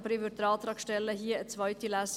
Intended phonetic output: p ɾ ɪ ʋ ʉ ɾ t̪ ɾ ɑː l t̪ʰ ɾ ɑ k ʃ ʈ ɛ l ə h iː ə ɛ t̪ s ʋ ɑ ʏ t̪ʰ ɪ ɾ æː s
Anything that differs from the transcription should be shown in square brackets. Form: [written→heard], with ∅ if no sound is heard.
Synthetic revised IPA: p ɾ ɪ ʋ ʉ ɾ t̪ ɾ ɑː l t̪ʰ ɾ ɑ k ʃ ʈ ɛ l ə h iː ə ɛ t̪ s ʋ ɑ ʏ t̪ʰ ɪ [ɾ→l] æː s